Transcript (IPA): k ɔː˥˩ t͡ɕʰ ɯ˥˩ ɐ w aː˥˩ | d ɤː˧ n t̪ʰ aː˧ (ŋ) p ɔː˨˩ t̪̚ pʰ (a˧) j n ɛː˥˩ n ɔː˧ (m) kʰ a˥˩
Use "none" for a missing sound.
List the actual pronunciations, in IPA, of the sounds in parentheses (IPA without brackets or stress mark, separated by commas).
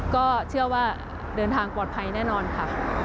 ŋ, a˧, n